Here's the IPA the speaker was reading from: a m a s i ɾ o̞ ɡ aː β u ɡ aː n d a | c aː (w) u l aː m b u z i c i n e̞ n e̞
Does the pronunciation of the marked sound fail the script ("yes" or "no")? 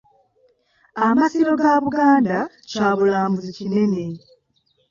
yes